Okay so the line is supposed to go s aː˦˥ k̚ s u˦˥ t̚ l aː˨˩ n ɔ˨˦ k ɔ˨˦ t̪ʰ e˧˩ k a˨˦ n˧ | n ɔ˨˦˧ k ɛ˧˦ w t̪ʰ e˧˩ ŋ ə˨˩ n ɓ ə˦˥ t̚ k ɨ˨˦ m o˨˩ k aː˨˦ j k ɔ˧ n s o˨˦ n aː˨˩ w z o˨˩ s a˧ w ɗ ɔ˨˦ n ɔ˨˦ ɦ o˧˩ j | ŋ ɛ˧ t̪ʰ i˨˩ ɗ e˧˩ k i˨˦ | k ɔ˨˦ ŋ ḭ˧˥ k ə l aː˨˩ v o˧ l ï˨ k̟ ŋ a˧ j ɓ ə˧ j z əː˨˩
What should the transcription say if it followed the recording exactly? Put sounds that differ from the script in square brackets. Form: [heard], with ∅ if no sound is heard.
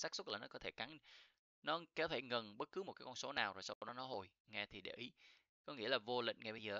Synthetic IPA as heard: s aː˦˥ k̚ s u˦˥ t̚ l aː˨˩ n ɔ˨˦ k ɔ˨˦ t̪ʰ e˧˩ k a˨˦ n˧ | n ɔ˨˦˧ k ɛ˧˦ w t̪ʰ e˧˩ ŋ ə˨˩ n ɓ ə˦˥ t̚ k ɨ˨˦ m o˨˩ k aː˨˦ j k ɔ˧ n s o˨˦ n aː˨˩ w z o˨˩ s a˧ w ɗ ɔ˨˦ n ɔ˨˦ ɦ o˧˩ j | ŋ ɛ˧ t̪ʰ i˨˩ ɗ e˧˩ [ʔ] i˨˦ | k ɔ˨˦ ŋ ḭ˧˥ [∅] ə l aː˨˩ v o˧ l ï˨ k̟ ŋ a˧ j ɓ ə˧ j z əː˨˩